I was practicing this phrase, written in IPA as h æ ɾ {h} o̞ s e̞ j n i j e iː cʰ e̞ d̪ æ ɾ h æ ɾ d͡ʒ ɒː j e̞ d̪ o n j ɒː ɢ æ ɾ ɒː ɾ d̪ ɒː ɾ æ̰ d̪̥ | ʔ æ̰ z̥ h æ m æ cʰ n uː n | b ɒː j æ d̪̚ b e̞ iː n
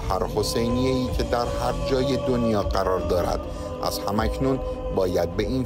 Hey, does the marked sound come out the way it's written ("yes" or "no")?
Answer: yes